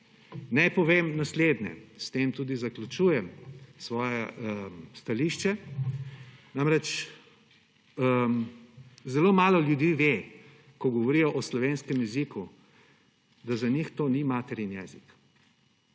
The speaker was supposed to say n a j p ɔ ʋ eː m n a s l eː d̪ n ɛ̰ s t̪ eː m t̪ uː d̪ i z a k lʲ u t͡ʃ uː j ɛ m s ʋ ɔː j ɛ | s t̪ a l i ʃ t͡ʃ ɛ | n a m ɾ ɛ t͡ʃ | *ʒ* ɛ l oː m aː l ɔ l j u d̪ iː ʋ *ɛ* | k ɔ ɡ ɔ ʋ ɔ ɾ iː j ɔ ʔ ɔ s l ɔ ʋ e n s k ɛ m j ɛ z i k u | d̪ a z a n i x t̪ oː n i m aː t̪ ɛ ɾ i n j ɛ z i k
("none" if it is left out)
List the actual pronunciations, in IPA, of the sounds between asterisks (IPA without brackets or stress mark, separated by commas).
z, e